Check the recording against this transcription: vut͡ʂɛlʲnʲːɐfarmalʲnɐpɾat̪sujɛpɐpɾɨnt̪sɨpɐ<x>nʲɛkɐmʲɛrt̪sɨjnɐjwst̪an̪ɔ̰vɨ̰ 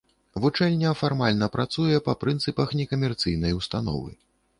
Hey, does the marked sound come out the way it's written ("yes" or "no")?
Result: yes